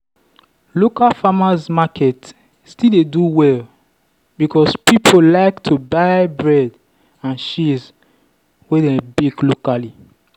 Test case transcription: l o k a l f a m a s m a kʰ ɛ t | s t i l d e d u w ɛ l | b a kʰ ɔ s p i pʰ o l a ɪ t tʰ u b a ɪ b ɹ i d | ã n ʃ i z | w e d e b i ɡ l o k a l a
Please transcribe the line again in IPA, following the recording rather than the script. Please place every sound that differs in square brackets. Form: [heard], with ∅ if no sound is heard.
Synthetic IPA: l o k a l f a m a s m a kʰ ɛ t | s t i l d e d u w ɛ l | b [i] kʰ ɔ s p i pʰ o l a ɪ [k] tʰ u b a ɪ b ɹ [ɛ] d | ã n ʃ i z | w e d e b i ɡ l o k a l [i]